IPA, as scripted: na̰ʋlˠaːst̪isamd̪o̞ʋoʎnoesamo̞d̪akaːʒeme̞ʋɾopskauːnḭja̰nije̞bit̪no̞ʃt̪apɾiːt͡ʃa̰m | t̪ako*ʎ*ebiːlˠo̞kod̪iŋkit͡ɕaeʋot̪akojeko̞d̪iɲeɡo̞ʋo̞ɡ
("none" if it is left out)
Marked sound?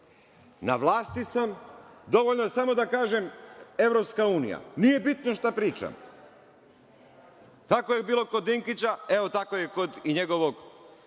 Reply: j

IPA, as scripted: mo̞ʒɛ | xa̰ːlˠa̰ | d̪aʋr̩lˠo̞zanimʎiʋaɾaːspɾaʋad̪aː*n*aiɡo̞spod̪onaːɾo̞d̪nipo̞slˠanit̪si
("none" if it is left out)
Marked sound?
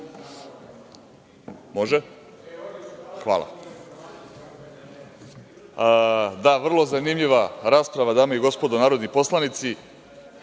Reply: m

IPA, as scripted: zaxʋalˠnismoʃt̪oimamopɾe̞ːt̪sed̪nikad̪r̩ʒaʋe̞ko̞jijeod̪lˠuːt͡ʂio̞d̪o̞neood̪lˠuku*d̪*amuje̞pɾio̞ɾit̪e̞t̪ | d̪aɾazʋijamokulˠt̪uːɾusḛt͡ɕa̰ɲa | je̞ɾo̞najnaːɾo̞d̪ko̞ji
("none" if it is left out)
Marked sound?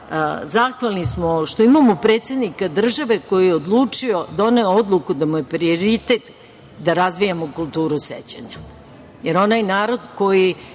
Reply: d̪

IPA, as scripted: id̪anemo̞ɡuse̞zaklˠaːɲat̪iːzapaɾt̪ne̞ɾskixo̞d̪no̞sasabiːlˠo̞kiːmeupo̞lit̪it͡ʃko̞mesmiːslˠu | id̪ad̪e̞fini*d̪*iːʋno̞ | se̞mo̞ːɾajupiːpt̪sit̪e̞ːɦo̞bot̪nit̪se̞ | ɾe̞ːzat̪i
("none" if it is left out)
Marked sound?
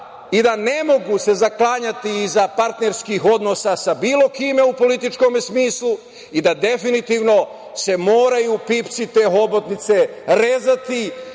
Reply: t̪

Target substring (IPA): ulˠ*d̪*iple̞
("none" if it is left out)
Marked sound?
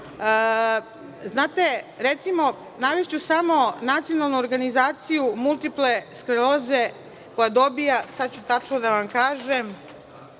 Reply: t̪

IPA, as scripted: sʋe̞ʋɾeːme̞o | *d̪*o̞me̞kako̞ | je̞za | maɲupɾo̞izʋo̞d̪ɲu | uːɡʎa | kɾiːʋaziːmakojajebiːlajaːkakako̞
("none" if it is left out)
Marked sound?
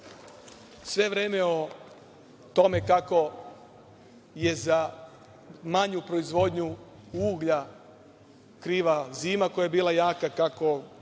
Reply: t̪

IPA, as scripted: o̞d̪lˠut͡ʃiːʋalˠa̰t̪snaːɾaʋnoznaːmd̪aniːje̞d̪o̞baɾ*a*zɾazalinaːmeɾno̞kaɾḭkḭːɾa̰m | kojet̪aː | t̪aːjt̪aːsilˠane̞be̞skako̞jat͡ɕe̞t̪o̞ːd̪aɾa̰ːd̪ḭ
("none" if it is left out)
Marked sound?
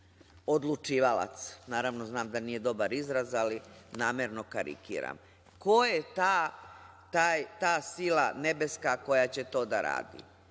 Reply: i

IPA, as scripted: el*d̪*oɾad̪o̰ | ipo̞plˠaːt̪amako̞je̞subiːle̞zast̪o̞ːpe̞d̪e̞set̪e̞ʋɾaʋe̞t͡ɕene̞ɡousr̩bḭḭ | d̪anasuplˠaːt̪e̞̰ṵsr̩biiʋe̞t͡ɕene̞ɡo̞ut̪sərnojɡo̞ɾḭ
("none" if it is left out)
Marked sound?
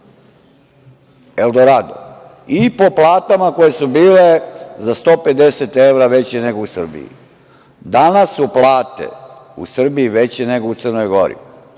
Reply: d̪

